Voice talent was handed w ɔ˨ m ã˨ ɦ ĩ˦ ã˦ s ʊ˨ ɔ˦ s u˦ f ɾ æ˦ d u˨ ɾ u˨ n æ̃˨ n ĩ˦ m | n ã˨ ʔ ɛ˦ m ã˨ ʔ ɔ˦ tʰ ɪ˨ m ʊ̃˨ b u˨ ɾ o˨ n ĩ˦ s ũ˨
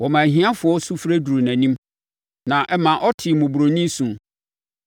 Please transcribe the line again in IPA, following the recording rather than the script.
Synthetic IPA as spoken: w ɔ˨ m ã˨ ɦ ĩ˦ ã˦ f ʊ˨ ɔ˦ s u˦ f ɾ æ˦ d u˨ ɾ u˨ n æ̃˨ n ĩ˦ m | n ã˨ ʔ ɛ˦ m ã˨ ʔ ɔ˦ tʰ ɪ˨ m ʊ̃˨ b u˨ ɾ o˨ n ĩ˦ s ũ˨

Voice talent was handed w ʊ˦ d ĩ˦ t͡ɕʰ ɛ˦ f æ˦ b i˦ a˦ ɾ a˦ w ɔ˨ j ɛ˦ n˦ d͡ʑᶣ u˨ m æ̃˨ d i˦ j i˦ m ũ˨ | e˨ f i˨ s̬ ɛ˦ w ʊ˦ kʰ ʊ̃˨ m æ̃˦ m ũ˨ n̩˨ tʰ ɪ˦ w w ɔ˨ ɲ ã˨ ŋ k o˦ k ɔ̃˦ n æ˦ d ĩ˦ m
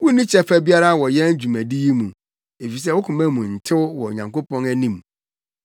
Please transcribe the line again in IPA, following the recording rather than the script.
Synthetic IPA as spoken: w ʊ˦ n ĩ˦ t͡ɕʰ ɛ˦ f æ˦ b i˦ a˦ ɾ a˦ w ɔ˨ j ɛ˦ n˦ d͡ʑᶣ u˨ m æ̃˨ d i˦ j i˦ m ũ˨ | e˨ f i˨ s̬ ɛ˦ w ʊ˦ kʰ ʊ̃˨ m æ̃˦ m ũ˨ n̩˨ tʰ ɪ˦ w w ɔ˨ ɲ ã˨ ŋ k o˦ p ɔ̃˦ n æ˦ n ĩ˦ m

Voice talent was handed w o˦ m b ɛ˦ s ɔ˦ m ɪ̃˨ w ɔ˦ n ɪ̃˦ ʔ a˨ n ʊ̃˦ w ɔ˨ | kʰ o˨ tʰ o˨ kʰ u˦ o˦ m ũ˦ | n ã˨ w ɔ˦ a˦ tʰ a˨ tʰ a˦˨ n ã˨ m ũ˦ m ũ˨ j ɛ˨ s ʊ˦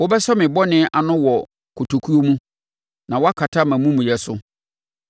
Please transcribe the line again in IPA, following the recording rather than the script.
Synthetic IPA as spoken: w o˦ b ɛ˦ s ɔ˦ m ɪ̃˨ b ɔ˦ n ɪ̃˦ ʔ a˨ n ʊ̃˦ w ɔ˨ | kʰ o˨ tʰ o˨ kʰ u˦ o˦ m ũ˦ | n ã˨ w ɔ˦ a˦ kʰ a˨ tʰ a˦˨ m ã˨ m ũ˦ m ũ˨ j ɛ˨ s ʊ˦

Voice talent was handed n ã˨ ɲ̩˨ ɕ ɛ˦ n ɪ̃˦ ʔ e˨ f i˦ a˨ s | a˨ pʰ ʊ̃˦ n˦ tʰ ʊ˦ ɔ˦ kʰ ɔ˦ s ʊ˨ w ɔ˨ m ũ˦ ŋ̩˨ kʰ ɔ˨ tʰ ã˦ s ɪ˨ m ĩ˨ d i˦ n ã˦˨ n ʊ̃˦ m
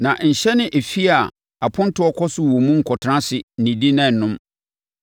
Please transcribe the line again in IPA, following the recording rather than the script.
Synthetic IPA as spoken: n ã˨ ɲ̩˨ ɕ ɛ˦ n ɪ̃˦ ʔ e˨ f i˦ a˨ | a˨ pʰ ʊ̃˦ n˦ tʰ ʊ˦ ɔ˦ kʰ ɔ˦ s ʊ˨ w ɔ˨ m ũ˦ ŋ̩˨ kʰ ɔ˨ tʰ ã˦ s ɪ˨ n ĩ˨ d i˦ n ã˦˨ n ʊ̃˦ m

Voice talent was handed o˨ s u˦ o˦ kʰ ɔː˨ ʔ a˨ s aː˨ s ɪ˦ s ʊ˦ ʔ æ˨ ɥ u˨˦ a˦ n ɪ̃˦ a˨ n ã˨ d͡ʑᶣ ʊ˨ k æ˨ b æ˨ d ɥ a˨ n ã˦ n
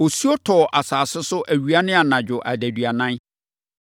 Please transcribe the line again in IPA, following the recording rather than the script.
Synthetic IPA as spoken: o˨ s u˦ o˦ tʰ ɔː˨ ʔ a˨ s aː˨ s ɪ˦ s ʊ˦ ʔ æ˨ ɥ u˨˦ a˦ n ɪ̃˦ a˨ n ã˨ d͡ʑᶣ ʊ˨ ʔ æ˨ d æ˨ d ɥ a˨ n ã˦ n

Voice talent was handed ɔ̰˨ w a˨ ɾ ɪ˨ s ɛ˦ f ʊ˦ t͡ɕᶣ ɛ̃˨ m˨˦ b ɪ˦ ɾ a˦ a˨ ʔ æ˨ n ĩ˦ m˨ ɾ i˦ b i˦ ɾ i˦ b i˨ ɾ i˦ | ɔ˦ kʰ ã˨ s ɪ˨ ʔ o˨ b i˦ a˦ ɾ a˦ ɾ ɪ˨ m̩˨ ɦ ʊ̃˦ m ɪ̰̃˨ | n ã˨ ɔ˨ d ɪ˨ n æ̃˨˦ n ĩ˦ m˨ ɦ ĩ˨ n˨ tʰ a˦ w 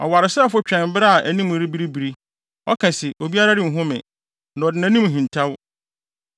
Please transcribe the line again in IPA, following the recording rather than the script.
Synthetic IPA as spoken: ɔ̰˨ w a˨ ɾ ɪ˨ s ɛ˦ f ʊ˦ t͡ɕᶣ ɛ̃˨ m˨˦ b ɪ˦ ɾ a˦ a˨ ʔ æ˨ n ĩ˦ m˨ ɾ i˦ b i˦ ɾ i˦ b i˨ ɾ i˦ | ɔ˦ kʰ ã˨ s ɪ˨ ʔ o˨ b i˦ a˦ ɾ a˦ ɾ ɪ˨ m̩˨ ɦ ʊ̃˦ m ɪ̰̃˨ | n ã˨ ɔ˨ d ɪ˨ n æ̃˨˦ n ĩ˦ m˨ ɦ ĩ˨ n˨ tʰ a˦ w

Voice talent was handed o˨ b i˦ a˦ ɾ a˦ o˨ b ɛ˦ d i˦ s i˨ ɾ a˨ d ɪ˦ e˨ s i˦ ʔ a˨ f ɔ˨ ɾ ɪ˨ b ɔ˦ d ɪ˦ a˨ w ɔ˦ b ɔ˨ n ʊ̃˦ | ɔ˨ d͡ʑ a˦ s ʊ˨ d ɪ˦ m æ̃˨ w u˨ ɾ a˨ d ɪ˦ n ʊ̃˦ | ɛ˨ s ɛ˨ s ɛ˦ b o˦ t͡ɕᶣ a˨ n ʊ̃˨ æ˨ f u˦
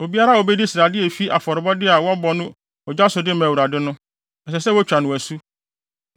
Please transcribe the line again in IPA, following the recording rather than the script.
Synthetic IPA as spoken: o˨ b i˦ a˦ ɾ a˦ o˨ b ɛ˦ d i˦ s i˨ ɾ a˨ d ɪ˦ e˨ f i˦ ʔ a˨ f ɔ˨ ɾ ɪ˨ b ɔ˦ d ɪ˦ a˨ w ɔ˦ b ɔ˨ n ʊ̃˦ | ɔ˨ d͡ʑ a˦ s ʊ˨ d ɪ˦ m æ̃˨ w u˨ ɾ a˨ d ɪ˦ n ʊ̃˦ | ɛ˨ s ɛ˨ s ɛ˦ w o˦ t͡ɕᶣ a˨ n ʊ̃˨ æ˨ s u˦

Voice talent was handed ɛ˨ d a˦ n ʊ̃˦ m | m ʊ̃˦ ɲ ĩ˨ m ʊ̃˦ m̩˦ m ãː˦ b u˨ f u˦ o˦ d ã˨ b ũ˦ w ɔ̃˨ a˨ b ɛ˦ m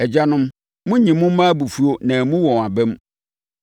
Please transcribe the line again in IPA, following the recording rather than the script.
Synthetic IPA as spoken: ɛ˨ d͡ʑ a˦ n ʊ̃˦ m | m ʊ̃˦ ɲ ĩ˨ m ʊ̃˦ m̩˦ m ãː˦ b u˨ f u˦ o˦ n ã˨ m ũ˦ w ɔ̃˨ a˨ b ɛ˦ m

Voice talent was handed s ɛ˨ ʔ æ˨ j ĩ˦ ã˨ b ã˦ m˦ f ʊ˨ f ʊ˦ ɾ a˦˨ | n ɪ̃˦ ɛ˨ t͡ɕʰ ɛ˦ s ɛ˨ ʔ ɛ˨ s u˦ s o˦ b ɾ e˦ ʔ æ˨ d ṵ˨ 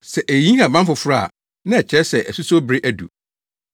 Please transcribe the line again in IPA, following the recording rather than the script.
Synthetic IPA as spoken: s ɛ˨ ʔ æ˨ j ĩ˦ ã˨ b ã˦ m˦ f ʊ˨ f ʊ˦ ɾ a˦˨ | n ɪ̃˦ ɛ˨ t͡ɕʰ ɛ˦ s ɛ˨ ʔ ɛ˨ s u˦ s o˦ b ɾ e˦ ʔ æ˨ d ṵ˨

